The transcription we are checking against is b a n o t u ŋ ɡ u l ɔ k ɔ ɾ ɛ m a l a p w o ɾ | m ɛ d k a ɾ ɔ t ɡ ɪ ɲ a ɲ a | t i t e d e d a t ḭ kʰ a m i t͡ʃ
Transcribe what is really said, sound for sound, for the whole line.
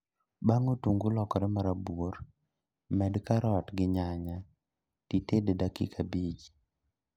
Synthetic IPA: b a ŋ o t u ŋ ɡ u l ɔ k ɔ ɾ ɛ m a ɾ a b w o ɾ | m ɛ d k a ɾ ɔ t ɡ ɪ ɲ a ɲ a | t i t e d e d a k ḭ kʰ a b i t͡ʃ